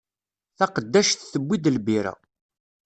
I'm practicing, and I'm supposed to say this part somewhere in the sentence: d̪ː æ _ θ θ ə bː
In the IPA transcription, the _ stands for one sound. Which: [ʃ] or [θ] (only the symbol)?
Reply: ʃ